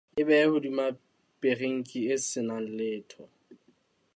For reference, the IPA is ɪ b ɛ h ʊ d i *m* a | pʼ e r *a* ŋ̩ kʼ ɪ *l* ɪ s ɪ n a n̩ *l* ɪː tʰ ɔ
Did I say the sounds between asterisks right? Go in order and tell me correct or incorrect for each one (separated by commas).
correct, incorrect, incorrect, correct